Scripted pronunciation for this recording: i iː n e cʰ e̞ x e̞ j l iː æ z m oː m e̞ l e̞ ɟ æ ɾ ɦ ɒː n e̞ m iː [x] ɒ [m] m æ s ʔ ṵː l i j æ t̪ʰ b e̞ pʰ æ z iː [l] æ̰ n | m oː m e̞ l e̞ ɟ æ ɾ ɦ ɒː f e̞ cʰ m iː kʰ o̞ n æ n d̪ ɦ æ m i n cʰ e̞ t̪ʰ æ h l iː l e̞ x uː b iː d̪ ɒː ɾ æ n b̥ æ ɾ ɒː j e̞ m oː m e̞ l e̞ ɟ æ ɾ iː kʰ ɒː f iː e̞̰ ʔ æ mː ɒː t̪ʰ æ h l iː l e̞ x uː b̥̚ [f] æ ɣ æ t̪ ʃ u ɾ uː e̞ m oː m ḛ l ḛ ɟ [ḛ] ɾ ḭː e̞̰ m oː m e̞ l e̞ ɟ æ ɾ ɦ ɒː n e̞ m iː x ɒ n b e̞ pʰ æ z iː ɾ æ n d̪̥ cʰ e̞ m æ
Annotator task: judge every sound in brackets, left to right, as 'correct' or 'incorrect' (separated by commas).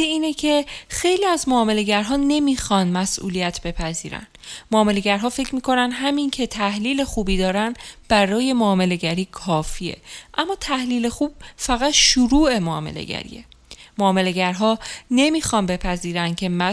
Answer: correct, incorrect, incorrect, correct, incorrect